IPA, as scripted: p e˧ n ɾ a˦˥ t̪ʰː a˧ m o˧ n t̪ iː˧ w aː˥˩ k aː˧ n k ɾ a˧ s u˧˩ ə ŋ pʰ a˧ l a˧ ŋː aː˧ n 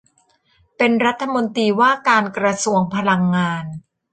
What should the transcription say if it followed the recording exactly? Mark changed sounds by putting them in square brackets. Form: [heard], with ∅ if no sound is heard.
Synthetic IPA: p e˧ n ɾ a˦˥ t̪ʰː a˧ m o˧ n t̪ iː˧ w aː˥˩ k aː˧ n k ɾ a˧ s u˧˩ ə ŋ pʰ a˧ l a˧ ŋː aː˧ n